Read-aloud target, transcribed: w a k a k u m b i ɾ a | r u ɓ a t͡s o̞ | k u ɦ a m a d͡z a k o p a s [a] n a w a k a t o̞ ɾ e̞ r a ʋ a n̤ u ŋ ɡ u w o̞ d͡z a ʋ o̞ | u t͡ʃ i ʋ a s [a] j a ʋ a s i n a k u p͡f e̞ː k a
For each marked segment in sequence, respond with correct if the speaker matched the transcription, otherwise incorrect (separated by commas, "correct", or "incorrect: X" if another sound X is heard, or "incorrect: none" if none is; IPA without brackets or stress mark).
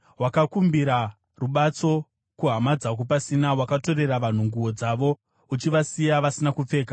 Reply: incorrect: i, incorrect: i